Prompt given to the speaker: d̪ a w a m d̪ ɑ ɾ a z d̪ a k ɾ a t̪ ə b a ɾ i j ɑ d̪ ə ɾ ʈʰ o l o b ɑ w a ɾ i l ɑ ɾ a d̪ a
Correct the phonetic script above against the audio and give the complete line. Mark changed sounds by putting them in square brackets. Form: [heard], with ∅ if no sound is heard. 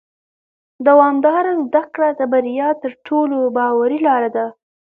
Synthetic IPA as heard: d̪ a w [ɑ] m d̪ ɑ ɾ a z d̪ a k [ɽ] a [d̪] ə b a ɾ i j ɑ [t̪] ə ɾ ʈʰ o l o b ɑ w a ɾ i l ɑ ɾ a d̪ a